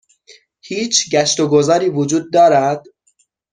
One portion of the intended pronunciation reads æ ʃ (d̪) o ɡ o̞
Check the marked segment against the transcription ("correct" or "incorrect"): incorrect